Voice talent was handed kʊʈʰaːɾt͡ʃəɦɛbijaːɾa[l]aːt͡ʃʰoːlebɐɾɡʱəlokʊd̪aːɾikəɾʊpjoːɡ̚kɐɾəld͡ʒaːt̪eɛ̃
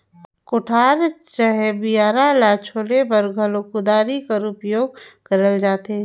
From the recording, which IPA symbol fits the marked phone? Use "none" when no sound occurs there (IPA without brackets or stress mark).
l